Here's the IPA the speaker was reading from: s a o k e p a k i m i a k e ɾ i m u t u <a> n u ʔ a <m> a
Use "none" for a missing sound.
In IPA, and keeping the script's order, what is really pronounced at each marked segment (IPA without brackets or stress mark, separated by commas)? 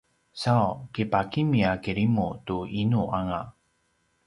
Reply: i, ŋ